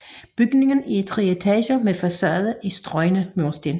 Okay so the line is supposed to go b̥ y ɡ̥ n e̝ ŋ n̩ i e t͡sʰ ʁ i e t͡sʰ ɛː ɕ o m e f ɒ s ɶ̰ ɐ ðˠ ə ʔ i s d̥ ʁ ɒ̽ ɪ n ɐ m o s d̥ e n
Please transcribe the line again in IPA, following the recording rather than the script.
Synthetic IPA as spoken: b̥ y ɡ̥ n e̝ ŋ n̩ i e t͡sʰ ʁ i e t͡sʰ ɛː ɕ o m e f ɒ s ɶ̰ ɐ ðˠ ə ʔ i s d̥ ʁ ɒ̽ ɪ n ə m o s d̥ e n